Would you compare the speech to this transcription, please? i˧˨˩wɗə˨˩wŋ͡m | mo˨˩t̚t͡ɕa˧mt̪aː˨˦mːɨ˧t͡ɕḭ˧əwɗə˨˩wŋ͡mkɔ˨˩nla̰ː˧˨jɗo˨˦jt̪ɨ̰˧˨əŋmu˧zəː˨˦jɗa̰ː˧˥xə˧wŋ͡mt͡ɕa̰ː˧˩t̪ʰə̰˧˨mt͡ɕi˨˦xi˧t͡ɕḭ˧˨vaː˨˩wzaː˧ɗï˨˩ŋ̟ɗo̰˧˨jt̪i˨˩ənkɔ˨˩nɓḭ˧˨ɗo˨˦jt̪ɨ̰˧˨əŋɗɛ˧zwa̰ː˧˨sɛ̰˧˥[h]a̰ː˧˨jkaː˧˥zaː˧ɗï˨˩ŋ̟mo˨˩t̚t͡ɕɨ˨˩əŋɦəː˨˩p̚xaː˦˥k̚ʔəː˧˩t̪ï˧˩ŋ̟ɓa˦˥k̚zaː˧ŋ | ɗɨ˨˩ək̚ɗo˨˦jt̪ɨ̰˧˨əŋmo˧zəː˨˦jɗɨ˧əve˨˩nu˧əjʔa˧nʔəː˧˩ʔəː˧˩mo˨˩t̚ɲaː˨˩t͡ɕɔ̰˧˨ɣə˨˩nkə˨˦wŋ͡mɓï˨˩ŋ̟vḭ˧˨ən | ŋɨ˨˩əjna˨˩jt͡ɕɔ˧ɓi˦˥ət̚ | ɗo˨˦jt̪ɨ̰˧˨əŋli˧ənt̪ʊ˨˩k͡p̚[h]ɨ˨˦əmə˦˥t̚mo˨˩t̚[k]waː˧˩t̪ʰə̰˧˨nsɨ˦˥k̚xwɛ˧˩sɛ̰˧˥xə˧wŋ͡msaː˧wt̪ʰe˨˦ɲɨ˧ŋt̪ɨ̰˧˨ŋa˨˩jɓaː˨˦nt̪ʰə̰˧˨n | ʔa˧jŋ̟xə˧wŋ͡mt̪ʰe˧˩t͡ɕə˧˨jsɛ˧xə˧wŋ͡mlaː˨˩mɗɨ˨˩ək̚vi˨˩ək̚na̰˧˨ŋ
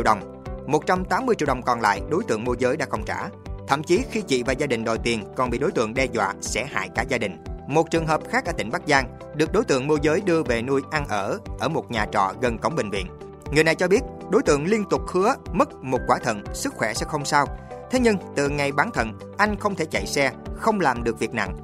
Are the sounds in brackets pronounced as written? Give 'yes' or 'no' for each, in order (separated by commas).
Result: yes, yes, yes